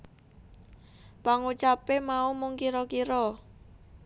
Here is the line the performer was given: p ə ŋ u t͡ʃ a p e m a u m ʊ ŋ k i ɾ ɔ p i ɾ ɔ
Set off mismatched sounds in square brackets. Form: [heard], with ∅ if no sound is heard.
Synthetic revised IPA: p [a] ŋ u t͡ʃ a p e m a u m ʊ ŋ k i ɾ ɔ [k] i ɾ ɔ

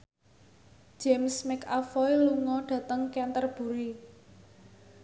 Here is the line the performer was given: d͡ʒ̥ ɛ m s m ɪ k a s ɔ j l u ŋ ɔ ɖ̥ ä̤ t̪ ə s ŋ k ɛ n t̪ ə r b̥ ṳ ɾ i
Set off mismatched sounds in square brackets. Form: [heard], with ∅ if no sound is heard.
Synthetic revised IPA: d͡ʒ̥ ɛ m s m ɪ k a [f] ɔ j l u ŋ ɔ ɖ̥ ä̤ t̪ ə [∅] ŋ k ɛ n t̪ ə r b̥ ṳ ɾ i

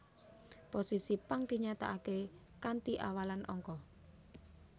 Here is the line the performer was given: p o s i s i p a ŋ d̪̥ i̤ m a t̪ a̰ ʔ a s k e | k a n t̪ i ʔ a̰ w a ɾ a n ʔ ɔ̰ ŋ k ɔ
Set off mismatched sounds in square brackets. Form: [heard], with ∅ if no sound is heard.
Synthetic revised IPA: p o s i s i p a ŋ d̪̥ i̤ [ɲ] a t̪ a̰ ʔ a [∅] k e | k a n t̪ i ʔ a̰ w a [l] a n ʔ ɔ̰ ŋ k ɔ

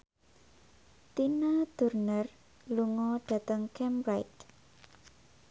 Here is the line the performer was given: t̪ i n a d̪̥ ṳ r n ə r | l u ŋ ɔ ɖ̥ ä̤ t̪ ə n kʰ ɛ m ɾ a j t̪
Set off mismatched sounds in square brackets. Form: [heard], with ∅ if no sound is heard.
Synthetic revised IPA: t̪ i n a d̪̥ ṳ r n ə r | l u ŋ ɔ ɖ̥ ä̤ t̪ ə [ŋ] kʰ ɛ m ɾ a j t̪

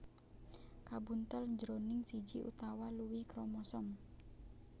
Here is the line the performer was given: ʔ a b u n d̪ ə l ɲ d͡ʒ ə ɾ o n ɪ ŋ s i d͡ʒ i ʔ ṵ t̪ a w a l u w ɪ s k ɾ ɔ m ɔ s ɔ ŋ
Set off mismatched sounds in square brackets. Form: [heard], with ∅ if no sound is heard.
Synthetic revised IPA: [k] a b u n [t̪] ə l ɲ d͡ʒ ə ɾ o n ɪ ŋ s i d͡ʒ i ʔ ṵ t̪ a w a l u w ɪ [h] k ɾ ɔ m ɔ s ɔ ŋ

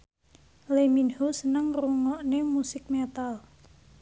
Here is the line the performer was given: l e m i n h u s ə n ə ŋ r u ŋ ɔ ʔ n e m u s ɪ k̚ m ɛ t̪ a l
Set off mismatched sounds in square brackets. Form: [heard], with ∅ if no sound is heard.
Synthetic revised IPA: l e m i n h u s ə n ə ŋ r u ŋ ɔ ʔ n e m u s ɪ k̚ m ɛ t̪ a l

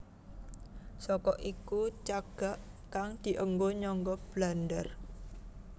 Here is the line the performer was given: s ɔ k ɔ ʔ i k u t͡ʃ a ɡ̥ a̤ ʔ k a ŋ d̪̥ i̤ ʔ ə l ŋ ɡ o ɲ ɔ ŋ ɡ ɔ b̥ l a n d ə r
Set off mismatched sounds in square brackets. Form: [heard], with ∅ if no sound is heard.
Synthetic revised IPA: s ɔ k ɔ ʔ i k u t͡ʃ a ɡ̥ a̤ ʔ k a ŋ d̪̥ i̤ ʔ ə [∅] ŋ ɡ o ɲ ɔ ŋ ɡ ɔ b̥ l a n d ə r

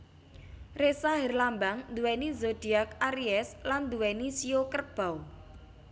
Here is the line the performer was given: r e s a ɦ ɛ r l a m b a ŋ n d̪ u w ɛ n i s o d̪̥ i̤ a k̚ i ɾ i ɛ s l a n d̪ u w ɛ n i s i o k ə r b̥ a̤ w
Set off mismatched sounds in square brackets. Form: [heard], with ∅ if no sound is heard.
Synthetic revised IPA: r e s a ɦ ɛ r l a m b a ŋ n d̪ u w ɛ n i [z] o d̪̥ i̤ a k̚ [a] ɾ i ɛ s l a n d̪ u w ɛ n i s i o k ə r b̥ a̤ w

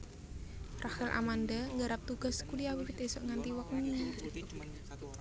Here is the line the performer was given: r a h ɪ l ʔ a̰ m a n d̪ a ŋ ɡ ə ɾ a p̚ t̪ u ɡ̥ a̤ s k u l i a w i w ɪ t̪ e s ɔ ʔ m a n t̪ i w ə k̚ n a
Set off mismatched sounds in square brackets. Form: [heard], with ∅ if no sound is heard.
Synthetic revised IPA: r a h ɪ l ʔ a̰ m a n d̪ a ŋ ɡ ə ɾ a p̚ t̪ u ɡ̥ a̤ s k u l i a w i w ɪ t̪ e s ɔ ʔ [ŋ] a n t̪ i w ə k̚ n [i]

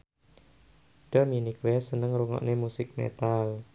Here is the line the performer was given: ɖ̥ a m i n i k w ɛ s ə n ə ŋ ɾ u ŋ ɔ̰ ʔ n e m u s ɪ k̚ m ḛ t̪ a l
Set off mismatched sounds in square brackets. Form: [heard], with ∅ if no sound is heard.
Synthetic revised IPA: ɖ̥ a m i n i k w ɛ s ə n ə ŋ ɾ u ŋ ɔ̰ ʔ n e m u s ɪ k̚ m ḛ t̪ a l

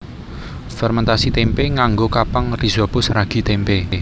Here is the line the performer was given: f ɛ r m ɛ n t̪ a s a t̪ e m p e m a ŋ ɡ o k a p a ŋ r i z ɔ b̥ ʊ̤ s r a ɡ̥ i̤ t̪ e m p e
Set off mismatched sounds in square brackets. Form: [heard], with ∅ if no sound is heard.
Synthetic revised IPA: f ɛ r m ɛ n t̪ a s [i] t̪ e m p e [ŋ] a ŋ ɡ o k a p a ŋ r i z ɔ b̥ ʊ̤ s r a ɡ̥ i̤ t̪ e m p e

